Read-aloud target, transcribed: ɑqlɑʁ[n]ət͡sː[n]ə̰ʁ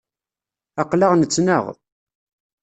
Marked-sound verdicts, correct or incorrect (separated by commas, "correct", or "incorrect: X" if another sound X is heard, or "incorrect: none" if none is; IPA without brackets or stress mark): correct, correct